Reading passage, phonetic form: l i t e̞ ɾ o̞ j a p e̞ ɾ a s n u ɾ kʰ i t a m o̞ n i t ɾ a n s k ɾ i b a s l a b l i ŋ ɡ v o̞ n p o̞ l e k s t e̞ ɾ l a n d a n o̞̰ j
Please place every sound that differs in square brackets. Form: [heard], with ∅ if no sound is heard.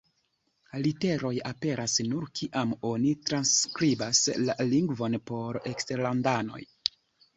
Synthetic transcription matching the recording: l i t e̞ ɾ o̞ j a p e̞ ɾ a s n u ɾ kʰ i [ʔ] a m o̞ n i t ɾ a n s k ɾ i b a s l a [∅] l i ŋ ɡ v o̞ n p o̞ [ɾ] e k s t e̞ ɾ l a n d a n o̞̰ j